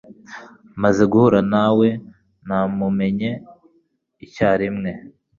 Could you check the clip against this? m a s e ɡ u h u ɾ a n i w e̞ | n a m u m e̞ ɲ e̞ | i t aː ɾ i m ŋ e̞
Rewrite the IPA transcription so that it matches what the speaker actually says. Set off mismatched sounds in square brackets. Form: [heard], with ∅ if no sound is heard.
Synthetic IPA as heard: m a [z] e ɡ u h u ɾ a n [a] w e̞ | n a m u m e̞ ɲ e̞ | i [c] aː ɾ i m ŋ e̞